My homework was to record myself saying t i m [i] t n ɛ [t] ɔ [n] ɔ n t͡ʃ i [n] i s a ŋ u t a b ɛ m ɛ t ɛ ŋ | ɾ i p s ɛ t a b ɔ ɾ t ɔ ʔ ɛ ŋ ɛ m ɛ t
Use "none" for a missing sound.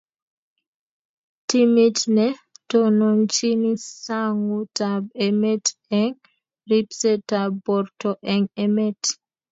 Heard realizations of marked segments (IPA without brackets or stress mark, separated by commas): i, t, n, n